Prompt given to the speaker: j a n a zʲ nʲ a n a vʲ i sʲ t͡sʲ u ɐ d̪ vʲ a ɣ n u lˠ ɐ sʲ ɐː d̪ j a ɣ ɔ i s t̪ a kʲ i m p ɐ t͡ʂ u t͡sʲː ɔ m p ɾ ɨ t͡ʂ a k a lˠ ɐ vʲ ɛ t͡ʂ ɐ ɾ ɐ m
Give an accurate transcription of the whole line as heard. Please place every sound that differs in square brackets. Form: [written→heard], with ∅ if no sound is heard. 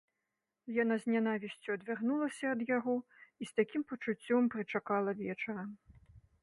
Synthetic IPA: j a n a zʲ nʲ a n a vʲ i sʲ t͡sʲ u ɐ d̪ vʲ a ɣ n u lˠ ɐ sʲ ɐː d̪ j a ɣ ɔ i s t̪ a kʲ i m p ɐ t͡ʂ u t͡sʲː ɔ m p ɾ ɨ t͡ʂ a k a lˠ ɐ vʲ ɛ t͡ʂ ɐ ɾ ɐ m